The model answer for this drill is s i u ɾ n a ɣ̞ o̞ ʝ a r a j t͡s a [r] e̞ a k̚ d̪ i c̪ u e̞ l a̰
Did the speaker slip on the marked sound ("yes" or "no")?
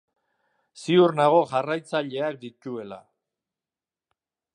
yes